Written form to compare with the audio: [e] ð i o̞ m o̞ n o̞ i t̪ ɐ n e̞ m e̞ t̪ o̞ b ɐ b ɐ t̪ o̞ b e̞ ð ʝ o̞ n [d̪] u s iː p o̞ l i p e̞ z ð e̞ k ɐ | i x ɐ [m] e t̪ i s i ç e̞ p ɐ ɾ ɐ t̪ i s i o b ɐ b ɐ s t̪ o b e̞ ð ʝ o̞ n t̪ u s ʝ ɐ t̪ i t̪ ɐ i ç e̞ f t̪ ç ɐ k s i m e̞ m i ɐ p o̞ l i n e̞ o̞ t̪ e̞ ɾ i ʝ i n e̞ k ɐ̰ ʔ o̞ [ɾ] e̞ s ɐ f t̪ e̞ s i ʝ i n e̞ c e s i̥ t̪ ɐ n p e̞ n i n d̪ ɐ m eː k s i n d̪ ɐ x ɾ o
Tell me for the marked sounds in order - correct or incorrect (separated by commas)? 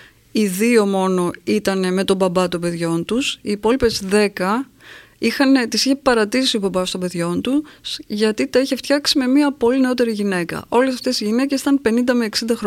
incorrect, incorrect, incorrect, incorrect